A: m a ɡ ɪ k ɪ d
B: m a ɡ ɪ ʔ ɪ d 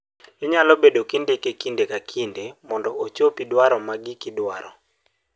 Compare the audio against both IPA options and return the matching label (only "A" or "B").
A